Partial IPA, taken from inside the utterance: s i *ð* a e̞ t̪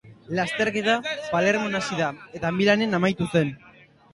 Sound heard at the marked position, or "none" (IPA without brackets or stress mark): ð